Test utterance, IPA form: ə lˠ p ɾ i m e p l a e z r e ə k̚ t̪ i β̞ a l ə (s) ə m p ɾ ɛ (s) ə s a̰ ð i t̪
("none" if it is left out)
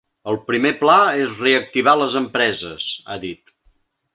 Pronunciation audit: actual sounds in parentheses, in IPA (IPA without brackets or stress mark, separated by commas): z, z